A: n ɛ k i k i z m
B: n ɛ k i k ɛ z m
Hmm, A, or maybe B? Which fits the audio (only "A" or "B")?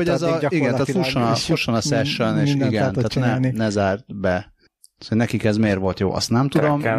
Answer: B